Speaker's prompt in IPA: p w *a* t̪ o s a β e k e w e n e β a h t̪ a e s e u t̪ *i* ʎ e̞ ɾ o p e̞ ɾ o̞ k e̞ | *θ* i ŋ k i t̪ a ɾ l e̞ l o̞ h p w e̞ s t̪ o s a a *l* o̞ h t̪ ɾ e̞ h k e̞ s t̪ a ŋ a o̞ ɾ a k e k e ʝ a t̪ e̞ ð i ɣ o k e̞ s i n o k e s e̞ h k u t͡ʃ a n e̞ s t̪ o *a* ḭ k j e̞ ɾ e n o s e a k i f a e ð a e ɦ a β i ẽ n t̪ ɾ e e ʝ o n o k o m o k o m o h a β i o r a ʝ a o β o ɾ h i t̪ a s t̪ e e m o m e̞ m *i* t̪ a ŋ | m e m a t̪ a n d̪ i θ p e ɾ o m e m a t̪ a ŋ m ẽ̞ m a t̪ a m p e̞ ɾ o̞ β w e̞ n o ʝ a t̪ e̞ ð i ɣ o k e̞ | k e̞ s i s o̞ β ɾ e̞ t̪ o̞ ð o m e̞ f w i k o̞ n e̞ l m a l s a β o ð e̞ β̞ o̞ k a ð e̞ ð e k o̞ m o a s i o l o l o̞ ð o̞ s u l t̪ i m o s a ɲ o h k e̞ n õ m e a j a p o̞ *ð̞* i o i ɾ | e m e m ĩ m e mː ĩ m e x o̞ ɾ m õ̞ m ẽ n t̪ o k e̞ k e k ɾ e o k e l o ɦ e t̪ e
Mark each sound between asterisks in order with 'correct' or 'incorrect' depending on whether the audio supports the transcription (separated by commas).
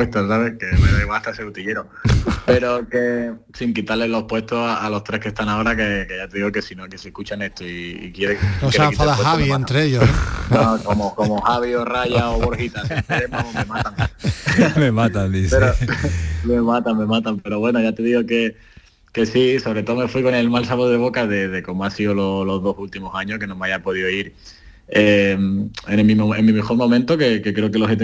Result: incorrect, correct, incorrect, correct, incorrect, incorrect, correct